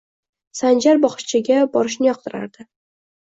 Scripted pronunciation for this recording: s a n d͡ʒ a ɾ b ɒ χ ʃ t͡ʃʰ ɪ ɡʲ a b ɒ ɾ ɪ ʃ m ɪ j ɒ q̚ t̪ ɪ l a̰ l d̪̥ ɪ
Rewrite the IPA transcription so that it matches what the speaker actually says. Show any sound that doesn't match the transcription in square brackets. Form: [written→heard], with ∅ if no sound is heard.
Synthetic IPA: s a n d͡ʒ a ɾ b ɒ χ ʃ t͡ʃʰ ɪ ɡʲ a b ɒ ɾ ɪ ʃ [m→n] ɪ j ɒ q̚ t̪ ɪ [l→ɾ] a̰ [l→ɾ] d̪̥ ɪ